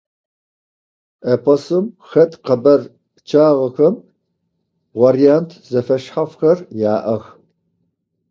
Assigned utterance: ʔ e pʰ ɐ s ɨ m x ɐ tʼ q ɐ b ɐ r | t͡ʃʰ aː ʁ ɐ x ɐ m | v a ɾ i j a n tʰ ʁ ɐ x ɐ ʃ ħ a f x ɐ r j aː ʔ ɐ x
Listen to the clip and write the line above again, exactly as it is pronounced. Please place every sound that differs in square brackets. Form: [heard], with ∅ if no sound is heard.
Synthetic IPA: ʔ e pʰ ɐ s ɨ m x ɐ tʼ q ɐ b ɐ r | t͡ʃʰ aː ʁ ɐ x ɐ m | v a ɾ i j a n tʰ [z] ɐ [f] ɐ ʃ ħ a f x ɐ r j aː ʔ ɐ x